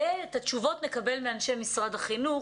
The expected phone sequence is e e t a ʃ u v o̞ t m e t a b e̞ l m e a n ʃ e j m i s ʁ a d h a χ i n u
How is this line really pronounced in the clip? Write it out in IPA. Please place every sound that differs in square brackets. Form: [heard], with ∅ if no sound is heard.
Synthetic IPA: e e t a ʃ u v o̞ t [n] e [k] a b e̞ l m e a n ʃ e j m i s ʁ a d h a χ i n u